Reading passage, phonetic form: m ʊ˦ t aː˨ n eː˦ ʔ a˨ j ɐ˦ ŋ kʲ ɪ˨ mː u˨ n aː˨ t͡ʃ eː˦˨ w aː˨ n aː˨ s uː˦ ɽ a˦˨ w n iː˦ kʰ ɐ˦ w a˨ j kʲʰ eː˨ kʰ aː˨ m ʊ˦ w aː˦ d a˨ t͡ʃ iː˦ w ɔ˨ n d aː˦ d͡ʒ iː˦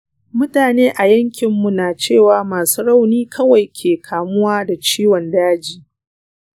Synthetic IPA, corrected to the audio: m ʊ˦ t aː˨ n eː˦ ʔ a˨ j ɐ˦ ŋ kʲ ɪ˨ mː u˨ n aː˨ t͡ʃ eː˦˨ w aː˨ m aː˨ s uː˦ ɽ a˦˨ w n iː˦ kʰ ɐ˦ w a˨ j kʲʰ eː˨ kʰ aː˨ m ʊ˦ w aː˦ d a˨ t͡ʃ iː˦ w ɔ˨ n d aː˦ d͡ʒ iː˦